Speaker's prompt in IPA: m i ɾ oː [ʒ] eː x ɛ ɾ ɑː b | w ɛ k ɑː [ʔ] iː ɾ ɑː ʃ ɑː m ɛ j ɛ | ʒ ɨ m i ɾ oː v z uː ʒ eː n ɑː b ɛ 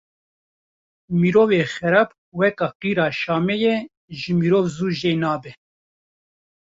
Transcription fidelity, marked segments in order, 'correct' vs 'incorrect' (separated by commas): incorrect, incorrect